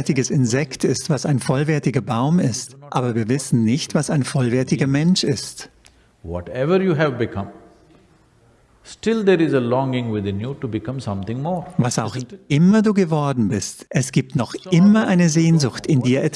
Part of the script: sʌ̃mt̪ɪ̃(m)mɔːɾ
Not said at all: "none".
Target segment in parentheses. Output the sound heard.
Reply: ŋ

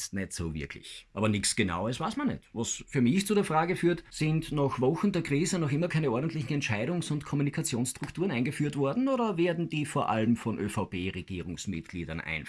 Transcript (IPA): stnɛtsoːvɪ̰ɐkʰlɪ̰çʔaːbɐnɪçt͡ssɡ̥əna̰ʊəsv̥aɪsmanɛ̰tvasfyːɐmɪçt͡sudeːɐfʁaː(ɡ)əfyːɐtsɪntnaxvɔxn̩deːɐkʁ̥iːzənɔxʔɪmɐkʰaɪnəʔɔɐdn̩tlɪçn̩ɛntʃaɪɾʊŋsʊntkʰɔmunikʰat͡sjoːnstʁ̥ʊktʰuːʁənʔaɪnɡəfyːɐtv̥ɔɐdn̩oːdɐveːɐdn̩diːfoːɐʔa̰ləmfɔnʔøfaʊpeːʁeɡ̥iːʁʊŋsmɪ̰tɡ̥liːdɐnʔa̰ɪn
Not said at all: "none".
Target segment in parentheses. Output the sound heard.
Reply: ɡ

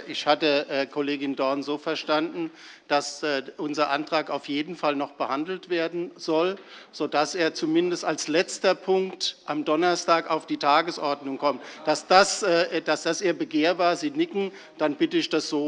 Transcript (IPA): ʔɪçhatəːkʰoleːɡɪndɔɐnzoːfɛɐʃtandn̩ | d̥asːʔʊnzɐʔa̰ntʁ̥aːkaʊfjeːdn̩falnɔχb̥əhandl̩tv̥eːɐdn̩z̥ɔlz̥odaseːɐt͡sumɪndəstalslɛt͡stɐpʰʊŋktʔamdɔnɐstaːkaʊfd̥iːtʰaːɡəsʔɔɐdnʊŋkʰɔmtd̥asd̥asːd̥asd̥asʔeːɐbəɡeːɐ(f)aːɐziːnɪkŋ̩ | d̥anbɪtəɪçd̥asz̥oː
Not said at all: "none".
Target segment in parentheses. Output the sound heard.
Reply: v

